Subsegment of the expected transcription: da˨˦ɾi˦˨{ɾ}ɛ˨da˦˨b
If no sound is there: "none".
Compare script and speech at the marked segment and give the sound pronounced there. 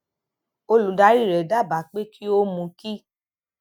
ɾ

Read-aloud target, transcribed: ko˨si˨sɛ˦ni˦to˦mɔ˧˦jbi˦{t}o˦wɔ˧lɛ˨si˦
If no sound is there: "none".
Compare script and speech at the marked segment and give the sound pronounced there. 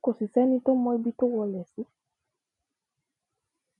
t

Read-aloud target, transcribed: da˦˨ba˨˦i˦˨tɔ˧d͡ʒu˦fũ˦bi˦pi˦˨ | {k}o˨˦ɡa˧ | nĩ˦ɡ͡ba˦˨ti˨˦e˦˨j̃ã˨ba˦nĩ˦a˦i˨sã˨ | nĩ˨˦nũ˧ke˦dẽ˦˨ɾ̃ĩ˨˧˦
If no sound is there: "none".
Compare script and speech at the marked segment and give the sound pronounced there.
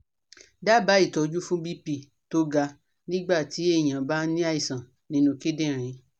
t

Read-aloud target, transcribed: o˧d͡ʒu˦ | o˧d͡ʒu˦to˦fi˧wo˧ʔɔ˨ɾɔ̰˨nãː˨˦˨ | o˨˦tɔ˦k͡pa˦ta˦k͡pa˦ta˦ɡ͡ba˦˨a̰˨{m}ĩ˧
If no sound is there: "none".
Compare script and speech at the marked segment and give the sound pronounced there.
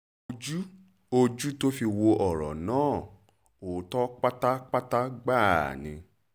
n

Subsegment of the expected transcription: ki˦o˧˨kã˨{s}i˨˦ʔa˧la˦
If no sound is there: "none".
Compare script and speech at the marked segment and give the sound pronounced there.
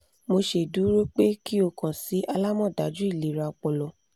s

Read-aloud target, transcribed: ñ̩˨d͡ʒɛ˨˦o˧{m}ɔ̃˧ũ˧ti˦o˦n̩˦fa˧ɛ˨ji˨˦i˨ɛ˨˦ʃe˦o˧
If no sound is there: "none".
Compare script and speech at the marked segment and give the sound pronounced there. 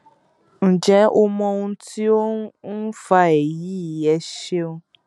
m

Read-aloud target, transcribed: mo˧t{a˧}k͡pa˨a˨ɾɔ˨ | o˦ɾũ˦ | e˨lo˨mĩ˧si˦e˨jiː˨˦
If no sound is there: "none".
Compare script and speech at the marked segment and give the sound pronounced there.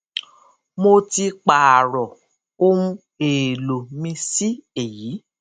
i˧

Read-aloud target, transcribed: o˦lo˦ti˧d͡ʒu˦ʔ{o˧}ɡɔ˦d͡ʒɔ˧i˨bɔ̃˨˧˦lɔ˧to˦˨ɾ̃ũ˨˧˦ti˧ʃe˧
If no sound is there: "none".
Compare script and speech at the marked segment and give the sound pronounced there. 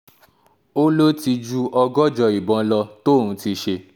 ɔ˧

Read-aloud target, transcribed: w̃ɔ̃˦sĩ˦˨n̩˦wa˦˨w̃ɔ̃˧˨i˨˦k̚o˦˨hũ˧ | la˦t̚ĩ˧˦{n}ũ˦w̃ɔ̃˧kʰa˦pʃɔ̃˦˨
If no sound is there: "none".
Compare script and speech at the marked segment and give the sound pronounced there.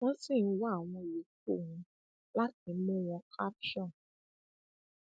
m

